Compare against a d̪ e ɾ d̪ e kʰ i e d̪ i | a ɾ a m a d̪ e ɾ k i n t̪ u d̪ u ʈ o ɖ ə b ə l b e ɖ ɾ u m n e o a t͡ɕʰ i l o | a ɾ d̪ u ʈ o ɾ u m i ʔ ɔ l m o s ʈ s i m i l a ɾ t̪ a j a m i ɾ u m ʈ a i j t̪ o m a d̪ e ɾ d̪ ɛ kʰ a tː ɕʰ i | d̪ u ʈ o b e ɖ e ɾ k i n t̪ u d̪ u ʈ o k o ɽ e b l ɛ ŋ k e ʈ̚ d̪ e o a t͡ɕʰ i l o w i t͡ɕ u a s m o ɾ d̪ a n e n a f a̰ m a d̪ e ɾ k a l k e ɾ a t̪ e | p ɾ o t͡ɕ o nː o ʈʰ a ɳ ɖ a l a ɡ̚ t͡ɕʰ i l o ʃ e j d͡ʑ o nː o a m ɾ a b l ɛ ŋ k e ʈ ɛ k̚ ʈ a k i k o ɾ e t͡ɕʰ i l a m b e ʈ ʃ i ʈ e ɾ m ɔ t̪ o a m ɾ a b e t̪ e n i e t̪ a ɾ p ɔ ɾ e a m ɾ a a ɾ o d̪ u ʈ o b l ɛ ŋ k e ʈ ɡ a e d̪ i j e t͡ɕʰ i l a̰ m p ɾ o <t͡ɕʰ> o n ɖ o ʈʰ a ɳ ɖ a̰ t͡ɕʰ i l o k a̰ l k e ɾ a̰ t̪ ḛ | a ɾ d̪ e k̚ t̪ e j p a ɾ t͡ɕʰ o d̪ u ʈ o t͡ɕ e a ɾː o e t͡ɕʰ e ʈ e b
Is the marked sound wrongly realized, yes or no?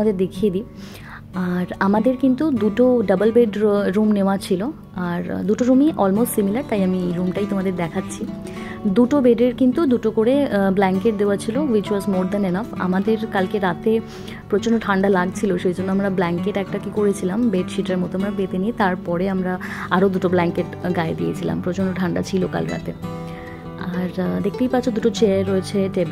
yes